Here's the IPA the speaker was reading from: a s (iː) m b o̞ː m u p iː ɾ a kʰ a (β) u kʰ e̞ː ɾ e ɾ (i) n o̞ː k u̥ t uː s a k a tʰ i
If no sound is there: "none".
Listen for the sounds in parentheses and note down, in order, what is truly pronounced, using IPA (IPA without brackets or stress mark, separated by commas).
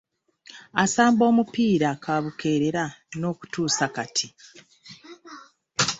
aː, β, a